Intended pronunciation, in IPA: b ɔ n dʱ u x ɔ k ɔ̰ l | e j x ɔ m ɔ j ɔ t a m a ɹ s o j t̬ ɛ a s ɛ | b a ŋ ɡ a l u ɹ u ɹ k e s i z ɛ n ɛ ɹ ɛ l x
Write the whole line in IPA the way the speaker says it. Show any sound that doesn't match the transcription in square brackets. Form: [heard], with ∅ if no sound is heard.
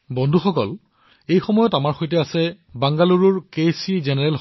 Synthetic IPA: b ɔ n dʱ u x ɔ k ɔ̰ l | e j x ɔ m ɔ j ɔ t a m a ɹ [x] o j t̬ ɛ a s ɛ | b a ŋ ɡ a l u ɹ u ɹ k e s i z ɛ n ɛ ɹ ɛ l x